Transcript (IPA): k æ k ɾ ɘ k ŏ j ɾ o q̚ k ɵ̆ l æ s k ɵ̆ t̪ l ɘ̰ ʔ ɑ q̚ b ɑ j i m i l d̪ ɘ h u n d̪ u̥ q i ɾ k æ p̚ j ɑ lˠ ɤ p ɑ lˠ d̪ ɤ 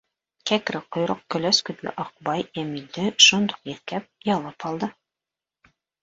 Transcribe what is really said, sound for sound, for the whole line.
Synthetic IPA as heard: k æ k ɾ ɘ q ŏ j ɾ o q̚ k ɵ̆ l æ s k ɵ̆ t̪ l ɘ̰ ʔ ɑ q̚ b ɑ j æ m i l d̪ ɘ ʃ u n d̪ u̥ q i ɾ k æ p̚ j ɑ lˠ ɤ p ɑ lˠ d̪ ɤ